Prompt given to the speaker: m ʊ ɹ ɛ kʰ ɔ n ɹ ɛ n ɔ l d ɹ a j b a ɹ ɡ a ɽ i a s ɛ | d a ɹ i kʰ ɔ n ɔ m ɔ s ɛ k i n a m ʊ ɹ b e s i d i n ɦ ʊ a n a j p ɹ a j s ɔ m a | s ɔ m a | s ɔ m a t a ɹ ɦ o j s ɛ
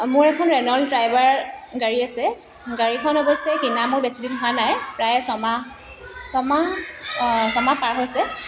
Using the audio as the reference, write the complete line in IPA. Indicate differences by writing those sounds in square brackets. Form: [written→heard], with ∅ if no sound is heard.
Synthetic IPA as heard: m ʊ ɹ ɛ kʰ ɔ n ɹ ɛ n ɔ l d ɹ a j b a ɹ ɡ a [ɽ→ɹ] i a s ɛ | [d→ɡ] a ɹ i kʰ ɔ n ɔ [m→b] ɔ s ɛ k i n a m ʊ ɹ b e s i d i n ɦ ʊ a n a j p ɹ a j s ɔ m a | s ɔ m a | s ɔ m a [t→p] a ɹ ɦ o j s ɛ